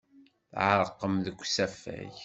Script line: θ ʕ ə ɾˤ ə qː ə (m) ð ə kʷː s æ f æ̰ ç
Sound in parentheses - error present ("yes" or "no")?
no